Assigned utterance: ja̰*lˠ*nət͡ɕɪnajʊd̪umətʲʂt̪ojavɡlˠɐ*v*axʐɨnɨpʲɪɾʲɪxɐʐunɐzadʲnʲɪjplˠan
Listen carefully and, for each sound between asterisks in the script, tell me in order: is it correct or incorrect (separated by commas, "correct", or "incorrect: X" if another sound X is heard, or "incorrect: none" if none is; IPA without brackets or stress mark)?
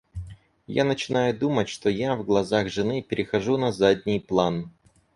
incorrect: none, incorrect: z